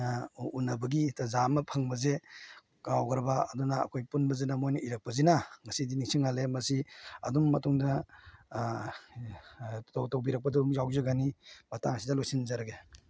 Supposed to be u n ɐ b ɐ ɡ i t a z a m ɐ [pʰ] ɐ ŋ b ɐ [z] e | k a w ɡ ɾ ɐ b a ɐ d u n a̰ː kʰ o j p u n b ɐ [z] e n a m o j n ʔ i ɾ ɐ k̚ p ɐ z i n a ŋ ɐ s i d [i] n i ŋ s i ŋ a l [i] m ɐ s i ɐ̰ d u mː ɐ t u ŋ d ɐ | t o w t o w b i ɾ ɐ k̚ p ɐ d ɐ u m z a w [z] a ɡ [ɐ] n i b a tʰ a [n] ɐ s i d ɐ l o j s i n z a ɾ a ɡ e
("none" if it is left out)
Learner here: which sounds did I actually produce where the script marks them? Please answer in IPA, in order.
pʰ, z, z, i, e, z, a, ŋ

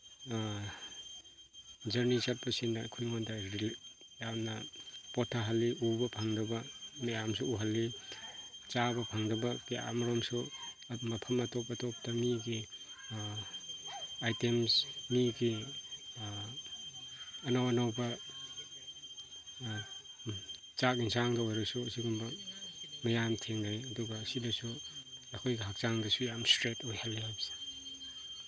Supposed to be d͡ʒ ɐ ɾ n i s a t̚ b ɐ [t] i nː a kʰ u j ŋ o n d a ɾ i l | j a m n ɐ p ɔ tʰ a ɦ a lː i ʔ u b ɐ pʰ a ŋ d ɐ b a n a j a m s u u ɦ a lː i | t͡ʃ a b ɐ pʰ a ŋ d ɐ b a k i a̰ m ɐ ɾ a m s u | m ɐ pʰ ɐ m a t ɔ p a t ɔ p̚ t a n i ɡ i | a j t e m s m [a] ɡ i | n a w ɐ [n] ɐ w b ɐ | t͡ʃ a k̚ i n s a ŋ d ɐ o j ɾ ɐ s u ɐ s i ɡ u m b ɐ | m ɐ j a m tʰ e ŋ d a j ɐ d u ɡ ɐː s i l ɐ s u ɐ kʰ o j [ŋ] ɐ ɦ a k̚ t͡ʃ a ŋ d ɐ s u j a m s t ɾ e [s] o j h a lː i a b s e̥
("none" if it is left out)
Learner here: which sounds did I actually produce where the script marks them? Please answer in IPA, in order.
s, i, n, ɡ, t

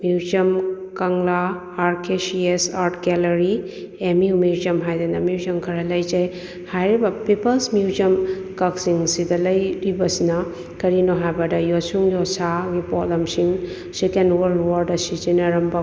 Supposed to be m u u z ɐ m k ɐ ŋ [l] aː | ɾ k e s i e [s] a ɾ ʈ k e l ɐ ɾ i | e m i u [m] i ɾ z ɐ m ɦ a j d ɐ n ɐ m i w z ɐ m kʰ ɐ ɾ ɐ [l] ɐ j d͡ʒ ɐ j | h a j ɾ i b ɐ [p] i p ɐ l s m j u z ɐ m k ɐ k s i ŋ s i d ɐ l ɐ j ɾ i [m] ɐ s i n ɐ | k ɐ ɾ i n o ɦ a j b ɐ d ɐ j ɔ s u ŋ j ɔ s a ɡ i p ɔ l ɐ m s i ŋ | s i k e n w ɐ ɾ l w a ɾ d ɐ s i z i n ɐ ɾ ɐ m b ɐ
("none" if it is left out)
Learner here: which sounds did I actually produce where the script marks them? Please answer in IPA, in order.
l, s, m, l, p, b

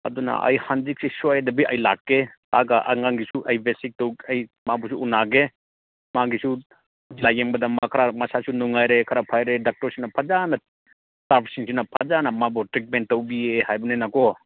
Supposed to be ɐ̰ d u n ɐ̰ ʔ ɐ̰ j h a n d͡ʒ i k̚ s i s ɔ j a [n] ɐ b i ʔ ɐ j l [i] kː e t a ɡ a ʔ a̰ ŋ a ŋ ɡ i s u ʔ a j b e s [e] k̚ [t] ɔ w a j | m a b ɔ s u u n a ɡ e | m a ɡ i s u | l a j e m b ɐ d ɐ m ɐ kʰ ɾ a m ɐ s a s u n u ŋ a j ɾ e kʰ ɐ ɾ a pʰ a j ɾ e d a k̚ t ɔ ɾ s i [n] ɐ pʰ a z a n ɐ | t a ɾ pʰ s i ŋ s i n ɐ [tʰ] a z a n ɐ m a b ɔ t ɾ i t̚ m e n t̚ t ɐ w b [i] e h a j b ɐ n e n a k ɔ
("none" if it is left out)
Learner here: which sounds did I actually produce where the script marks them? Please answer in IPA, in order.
d, a, i, t, n, pʰ, i

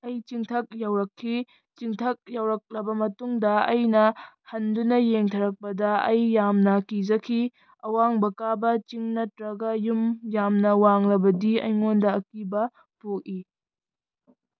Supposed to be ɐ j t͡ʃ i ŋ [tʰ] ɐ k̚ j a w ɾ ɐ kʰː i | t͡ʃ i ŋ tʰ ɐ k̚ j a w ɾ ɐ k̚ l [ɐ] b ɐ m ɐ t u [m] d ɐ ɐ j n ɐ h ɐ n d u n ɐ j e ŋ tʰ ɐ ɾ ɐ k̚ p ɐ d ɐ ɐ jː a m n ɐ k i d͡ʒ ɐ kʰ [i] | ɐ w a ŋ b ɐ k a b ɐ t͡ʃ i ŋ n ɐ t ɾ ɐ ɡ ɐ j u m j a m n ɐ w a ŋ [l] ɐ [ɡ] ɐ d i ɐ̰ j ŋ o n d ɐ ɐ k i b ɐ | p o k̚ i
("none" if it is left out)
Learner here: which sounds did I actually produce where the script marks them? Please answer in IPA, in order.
tʰ, ɐ, ŋ, i, l, b

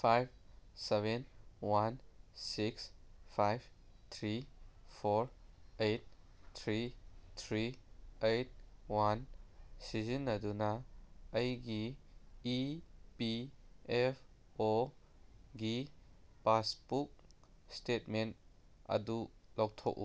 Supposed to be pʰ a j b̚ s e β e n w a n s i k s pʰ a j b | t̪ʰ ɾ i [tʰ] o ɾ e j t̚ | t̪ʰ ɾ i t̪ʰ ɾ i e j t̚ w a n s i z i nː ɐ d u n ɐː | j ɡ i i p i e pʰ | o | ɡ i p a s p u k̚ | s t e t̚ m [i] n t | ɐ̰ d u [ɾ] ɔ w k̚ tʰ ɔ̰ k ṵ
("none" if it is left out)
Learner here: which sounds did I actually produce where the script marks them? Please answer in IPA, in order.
pʰ, e, l

